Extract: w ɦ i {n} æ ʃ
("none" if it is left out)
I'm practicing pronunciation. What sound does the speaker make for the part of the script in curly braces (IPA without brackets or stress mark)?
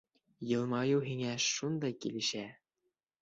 ŋ